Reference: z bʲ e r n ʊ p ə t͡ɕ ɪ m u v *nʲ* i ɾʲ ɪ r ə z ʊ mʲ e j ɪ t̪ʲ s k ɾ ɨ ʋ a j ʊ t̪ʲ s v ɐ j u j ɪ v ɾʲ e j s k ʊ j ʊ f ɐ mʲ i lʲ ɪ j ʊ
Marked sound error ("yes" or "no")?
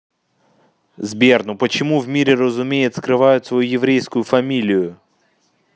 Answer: yes